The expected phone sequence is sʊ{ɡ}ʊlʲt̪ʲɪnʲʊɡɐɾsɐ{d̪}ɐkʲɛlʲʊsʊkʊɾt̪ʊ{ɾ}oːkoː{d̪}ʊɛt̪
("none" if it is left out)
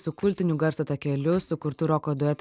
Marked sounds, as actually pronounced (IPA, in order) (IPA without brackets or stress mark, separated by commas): k, t̪, ɾ, d̪